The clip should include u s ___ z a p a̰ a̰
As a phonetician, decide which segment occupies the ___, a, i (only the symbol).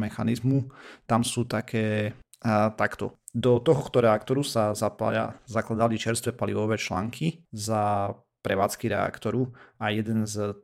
a